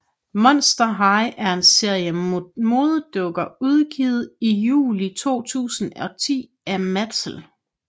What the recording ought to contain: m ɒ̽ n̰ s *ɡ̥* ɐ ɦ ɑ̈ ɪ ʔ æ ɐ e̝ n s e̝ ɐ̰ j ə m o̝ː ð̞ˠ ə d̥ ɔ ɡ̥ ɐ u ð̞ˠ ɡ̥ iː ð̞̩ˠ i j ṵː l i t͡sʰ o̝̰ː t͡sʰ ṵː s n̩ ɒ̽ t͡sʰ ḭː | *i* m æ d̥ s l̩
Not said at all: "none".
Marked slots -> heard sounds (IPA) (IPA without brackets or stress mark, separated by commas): d̥, æ